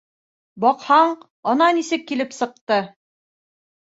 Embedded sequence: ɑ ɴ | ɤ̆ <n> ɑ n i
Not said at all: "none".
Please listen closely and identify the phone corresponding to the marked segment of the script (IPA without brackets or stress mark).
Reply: n